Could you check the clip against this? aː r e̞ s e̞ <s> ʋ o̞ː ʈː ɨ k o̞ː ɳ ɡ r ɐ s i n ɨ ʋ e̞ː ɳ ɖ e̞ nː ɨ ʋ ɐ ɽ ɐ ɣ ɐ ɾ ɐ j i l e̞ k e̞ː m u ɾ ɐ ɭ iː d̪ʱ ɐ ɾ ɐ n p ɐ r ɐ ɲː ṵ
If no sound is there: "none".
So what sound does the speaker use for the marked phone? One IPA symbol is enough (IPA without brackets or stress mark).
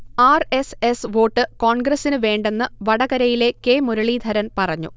s